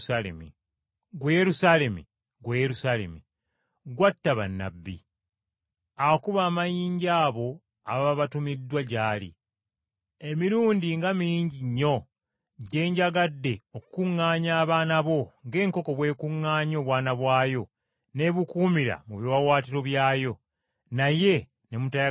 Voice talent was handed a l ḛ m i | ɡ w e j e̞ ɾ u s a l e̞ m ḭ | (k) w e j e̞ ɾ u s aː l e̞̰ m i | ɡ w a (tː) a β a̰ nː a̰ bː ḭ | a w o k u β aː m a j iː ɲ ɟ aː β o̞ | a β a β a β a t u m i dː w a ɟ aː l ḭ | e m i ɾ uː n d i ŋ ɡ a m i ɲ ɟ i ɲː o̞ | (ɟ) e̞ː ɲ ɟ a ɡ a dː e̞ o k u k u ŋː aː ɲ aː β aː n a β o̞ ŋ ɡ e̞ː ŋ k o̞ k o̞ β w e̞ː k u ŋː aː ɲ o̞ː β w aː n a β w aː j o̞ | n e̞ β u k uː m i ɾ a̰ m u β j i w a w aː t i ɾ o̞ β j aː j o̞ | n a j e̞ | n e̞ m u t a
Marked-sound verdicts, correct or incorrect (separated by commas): incorrect, correct, correct